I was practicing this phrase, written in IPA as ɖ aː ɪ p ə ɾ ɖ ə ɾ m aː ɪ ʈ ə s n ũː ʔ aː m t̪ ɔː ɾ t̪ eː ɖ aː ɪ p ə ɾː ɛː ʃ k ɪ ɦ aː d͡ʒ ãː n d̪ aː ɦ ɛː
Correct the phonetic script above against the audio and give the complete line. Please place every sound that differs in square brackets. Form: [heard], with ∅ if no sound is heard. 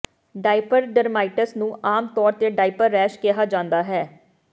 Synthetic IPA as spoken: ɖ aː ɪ p ə ɾ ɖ ə ɾ m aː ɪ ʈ ə s n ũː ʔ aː m t̪ ɔː ɾ t̪ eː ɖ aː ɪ p ə ɾː ɛː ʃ k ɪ ɦ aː d͡ʒ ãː n d̪ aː ɦ ɛː